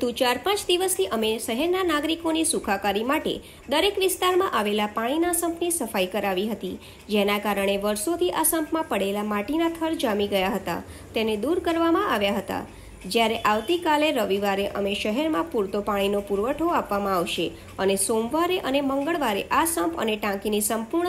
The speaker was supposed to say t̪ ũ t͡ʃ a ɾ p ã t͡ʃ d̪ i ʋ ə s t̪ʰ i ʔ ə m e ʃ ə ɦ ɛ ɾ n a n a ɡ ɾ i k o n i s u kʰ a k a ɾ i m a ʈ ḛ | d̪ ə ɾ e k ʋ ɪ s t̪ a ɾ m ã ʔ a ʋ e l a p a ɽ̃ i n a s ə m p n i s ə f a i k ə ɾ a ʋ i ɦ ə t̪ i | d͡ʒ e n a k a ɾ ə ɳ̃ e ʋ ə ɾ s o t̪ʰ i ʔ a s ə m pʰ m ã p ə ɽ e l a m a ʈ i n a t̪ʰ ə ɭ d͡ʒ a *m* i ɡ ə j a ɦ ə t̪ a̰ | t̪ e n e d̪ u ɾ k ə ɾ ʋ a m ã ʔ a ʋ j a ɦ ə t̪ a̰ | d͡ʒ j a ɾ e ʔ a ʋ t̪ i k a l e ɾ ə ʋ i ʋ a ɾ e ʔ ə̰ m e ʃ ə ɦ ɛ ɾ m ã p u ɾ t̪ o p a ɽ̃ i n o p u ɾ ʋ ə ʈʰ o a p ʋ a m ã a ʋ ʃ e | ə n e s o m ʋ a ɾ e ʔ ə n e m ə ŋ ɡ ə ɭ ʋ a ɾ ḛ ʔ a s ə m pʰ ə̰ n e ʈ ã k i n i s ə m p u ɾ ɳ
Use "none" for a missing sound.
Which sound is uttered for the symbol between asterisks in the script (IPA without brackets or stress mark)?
m